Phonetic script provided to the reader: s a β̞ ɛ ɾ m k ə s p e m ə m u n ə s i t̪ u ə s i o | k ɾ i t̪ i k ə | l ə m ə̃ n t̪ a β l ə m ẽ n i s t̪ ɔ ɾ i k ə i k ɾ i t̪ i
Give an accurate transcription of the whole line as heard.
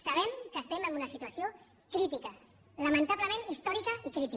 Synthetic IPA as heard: s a β̞ ɛ m k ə s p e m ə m u n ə s i t̪ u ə s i o | k ɾ i t̪ i k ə | l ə m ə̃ n t̪ a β l ə m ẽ n i s t̪ ɔ ɾ i k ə i k ɾ i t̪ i